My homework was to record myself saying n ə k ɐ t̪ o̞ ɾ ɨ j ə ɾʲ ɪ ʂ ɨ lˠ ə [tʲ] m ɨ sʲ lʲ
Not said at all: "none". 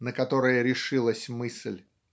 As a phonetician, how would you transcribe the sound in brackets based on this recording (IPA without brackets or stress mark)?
sʲ